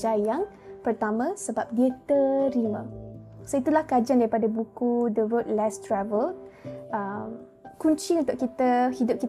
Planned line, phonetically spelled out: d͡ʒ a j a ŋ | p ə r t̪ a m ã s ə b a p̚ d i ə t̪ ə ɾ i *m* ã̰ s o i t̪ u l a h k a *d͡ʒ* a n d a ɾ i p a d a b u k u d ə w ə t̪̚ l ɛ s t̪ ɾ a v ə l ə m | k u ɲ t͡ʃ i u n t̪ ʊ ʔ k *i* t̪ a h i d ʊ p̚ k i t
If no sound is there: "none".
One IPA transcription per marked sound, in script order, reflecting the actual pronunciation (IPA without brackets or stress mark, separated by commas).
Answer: m, d͡ʒ, i